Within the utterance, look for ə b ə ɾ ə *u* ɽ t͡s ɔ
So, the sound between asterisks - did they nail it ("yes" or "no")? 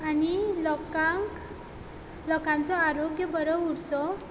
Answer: yes